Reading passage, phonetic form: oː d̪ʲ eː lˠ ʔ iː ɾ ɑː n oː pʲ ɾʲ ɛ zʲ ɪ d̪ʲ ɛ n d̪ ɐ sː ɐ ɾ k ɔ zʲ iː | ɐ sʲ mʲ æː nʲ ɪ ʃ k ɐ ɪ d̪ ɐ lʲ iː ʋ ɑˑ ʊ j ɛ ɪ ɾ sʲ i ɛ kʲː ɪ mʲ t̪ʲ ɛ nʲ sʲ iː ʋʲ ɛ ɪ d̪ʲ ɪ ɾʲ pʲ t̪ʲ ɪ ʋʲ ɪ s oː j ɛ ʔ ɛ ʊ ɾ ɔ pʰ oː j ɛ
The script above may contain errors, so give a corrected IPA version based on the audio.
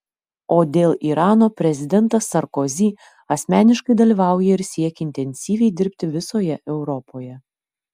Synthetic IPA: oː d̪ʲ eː lˠ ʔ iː ɾ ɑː n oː pʲ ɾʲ ɛ zʲ ɪ d̪ʲ ɛ n t̪ ɐ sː ɐ ɾ k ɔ zʲ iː | ɐ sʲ mʲ æː nʲ ɪ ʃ k ɐ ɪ d̪ ɐ lʲ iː ʋ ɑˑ ʊ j ɛ ɪ ɾ sʲ i ɛ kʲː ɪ nʲ t̪ʲ ɛ nʲ sʲ iː ʋʲ ɛ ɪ d̪ʲ ɪ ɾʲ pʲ t̪ʲ ɪ ʋʲ ɪ s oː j ɛ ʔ ɛ ʊ ɾ ɔ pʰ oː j ɛ